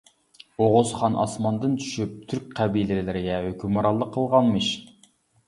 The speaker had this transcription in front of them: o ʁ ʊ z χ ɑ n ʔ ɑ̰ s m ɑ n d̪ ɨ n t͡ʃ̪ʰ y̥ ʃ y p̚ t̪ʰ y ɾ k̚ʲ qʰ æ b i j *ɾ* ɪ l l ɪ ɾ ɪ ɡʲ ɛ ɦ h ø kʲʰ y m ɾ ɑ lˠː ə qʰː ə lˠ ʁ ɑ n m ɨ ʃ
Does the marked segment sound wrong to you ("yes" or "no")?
yes